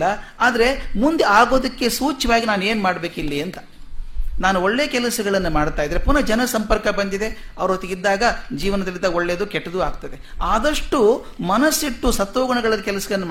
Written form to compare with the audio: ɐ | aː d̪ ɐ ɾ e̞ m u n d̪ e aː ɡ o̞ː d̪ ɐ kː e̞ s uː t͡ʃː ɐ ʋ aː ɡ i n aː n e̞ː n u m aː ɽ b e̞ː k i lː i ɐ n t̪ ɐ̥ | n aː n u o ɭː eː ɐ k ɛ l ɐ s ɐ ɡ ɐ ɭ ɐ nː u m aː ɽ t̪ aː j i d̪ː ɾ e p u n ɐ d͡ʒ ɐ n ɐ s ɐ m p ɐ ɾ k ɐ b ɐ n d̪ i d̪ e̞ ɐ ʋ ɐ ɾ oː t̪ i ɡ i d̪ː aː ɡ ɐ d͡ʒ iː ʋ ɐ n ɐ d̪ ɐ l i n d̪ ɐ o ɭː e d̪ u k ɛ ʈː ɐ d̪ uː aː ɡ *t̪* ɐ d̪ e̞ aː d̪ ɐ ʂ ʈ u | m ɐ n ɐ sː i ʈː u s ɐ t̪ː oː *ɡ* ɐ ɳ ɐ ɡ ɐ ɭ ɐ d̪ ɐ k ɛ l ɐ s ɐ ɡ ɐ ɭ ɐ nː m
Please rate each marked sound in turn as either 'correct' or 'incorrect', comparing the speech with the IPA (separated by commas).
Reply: correct, correct